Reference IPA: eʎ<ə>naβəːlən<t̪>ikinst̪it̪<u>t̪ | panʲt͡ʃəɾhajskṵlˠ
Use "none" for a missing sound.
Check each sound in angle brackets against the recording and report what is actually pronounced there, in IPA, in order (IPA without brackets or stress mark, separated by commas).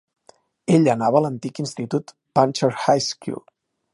ə, t̪, u